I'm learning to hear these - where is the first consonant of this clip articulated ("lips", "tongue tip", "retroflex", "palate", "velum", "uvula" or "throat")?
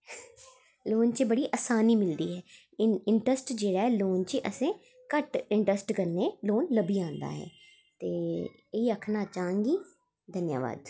tongue tip